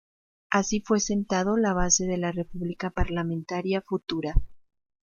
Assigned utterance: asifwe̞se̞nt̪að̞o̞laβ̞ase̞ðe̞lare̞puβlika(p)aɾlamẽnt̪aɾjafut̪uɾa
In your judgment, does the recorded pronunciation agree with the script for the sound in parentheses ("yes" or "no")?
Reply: yes